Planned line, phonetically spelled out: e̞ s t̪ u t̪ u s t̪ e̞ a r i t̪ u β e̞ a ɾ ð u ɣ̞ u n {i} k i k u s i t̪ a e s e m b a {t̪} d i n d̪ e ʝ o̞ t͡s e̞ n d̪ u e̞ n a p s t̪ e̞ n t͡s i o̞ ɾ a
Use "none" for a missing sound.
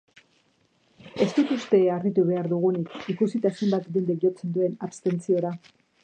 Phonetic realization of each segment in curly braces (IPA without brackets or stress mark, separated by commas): i, t̪